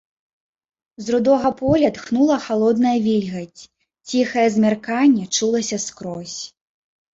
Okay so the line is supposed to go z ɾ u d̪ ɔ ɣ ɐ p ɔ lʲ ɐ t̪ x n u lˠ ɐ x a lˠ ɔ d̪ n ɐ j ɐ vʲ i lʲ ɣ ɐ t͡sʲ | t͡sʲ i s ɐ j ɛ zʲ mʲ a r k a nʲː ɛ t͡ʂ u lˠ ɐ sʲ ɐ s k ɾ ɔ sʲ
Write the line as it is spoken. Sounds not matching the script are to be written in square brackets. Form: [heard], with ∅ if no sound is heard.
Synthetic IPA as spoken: z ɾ u d̪ ɔ ɣ ɐ p ɔ lʲ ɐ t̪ x n u lˠ ɐ x a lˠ ɔ d̪ n ɐ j ɐ vʲ i lʲ ɣ ɐ t͡sʲ | t͡sʲ i [x] ɐ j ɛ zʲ mʲ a r k a nʲː ɛ t͡ʂ u lˠ ɐ sʲ ɐ s k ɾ ɔ sʲ